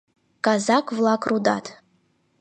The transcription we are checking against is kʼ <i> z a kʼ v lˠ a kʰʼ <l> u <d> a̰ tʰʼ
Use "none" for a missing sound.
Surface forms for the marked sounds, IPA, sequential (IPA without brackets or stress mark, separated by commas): a, r, d